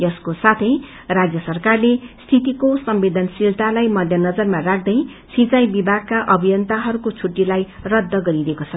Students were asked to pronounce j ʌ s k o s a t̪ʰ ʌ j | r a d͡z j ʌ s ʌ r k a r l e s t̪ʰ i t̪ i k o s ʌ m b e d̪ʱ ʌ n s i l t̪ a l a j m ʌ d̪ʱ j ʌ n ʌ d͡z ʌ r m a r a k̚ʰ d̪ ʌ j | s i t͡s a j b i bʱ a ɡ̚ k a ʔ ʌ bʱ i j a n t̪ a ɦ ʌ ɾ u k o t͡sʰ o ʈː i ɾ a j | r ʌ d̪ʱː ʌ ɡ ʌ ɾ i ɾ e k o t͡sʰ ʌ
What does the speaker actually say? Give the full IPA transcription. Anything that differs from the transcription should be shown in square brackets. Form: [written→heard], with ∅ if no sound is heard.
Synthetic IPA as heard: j ʌ s k o s a t̪ʰ ʌ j | r a d͡z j ʌ s ʌ r k a r l e s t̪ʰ i t̪ i k o s ʌ m b e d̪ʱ ʌ n s i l t̪ a l a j m ʌ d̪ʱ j ʌ n ʌ d͡z ʌ r m a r a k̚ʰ d̪ ʌ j | s i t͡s a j b i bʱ a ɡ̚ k a ʔ ʌ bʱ i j [a→ʌ] n t̪ a ɦ ʌ ɾ u k o t͡sʰ [o→u] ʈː i [ɾ→l] a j | r ʌ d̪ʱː ʌ ɡ ʌ ɾ i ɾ e k o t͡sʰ ʌ